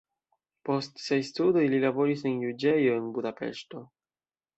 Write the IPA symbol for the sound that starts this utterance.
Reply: p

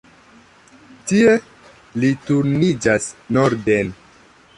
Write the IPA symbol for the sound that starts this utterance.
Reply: t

